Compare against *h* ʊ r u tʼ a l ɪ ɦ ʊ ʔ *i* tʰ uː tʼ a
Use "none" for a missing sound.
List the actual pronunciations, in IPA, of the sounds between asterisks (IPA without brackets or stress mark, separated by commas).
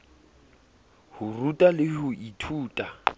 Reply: h, i